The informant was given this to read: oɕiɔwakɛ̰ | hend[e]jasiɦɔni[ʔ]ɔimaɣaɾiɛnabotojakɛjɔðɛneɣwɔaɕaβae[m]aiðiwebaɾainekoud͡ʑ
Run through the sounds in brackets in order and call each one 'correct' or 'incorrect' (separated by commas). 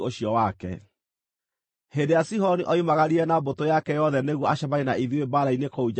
correct, correct, incorrect